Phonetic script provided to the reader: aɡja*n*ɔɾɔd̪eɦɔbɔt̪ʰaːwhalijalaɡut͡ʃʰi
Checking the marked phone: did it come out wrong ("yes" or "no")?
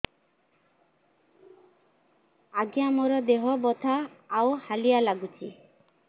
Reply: yes